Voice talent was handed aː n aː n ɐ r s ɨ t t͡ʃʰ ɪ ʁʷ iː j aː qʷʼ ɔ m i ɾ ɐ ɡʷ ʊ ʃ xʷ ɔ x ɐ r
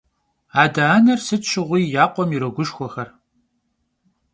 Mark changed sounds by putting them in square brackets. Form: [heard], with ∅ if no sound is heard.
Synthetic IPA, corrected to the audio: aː [d] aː n ɐ r s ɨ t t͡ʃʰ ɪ ʁʷ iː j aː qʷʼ ɔ m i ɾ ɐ ɡʷ ʊ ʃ xʷ ɔ x ɐ r